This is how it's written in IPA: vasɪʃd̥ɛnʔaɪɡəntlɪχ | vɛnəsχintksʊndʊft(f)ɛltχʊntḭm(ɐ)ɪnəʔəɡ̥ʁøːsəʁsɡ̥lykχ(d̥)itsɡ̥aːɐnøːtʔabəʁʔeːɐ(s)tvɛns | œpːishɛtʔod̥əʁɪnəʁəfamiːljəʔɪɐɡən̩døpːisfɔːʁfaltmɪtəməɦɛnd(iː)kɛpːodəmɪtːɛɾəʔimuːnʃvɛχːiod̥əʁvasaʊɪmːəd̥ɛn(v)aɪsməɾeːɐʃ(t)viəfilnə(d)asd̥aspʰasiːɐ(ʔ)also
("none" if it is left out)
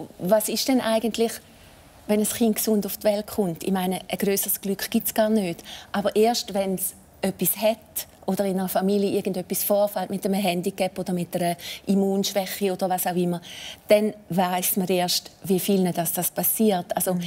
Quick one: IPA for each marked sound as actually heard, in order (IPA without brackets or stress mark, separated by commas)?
v, a, ɡ̥, ʃ, i, v, t, d, t